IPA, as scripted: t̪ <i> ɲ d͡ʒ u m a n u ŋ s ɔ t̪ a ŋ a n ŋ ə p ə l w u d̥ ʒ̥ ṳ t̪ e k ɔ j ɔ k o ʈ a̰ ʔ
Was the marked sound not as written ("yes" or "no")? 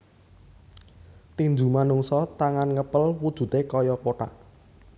no